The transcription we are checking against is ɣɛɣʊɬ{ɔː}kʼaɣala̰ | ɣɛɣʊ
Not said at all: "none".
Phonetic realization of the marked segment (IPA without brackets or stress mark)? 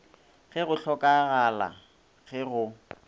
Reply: ɔ